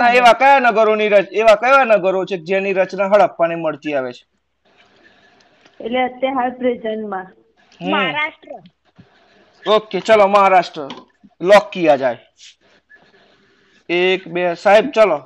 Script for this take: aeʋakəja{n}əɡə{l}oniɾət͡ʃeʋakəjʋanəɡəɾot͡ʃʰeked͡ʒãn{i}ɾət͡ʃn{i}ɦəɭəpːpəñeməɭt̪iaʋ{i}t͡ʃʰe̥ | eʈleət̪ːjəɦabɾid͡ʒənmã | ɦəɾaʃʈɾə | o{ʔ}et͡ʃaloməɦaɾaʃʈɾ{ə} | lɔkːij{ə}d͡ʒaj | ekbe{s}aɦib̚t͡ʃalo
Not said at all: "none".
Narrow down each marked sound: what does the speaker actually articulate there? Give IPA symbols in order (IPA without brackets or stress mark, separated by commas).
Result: n, ɾ, i, a, e, k, ə, a, s